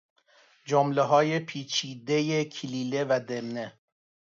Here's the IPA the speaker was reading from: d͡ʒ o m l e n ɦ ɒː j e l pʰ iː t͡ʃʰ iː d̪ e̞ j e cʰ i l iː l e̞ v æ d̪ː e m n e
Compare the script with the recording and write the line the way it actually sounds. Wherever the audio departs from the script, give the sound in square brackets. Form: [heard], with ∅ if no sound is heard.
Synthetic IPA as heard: d͡ʒ o m l e [∅] ɦ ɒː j e [∅] pʰ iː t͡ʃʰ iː d̪ e̞ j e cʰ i l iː l e̞ v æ [d̪] e m n e